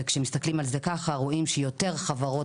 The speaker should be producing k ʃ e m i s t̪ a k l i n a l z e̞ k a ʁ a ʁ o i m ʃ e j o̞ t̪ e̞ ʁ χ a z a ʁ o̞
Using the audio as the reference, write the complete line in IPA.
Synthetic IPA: k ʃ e m i s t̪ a k l i m a l z e̞ k a χ a ʁ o i m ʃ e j o̞ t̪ e̞ ʁ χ a v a ʁ o̞